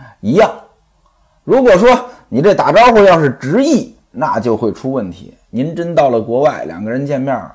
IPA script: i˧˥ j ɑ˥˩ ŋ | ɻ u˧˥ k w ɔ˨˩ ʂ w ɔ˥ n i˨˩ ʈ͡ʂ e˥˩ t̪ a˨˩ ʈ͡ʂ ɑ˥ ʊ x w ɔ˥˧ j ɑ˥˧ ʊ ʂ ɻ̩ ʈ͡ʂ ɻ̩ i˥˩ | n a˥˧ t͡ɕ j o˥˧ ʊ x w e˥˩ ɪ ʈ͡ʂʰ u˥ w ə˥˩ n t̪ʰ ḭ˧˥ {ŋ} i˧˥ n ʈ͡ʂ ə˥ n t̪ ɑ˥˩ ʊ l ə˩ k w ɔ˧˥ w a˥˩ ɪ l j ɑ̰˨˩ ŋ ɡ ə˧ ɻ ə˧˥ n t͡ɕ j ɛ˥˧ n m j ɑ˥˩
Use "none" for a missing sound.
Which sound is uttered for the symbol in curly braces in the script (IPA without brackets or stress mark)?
n